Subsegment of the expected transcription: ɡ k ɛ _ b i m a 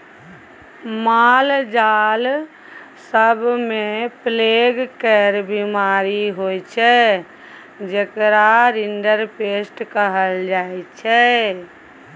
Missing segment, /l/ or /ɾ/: ɾ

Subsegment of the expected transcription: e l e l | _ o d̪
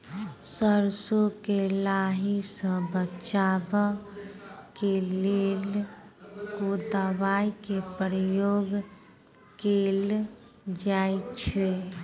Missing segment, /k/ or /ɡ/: k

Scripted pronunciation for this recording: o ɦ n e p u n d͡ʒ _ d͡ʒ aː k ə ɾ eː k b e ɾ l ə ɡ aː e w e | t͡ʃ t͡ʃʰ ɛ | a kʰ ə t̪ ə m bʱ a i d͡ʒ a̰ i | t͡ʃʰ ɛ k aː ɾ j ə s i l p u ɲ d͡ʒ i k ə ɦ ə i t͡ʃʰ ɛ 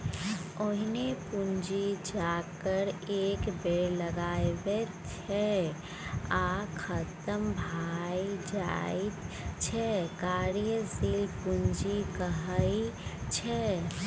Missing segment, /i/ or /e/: i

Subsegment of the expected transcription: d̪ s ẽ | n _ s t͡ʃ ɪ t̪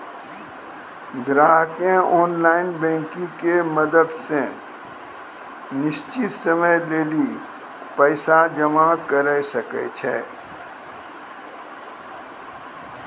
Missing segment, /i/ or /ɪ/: ɪ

